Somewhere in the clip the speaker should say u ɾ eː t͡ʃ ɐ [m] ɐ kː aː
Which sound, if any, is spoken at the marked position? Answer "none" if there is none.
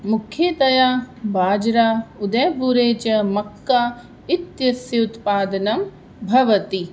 m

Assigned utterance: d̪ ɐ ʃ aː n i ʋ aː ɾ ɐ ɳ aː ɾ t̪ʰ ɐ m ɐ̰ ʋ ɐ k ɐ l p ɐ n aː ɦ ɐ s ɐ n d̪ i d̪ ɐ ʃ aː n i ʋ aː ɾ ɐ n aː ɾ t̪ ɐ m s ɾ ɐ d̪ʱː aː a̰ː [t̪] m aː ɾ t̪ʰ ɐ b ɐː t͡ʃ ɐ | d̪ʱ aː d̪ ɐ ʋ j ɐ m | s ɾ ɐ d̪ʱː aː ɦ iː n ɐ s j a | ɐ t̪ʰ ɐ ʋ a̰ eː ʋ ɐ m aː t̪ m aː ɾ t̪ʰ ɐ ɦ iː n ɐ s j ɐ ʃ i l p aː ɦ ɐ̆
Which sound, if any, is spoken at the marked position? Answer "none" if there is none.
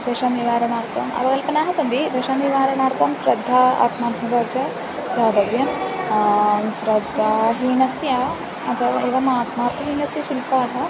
t̪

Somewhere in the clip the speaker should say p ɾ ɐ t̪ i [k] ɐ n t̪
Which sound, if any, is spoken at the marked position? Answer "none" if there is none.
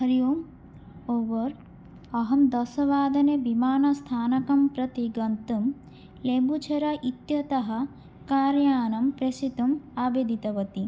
ɡ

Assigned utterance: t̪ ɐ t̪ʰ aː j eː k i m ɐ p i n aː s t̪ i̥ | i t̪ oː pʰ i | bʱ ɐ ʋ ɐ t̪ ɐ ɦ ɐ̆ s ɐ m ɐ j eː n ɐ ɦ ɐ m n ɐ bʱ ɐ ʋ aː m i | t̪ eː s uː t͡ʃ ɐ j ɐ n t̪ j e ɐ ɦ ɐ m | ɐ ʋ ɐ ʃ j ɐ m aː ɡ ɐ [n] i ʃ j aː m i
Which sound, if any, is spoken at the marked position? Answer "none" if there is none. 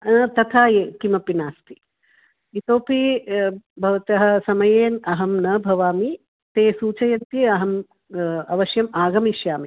m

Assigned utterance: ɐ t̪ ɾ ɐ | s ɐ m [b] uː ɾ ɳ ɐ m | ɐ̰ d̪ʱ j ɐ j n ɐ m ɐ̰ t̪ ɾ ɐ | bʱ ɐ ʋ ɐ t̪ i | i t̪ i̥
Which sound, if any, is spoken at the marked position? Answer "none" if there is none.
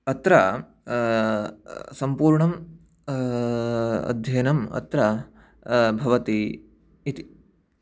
p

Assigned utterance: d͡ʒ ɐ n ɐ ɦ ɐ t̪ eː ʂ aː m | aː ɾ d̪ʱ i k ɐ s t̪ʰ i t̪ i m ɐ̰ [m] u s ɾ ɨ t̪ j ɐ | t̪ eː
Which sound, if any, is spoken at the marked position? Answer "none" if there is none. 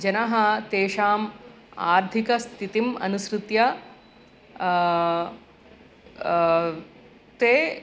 n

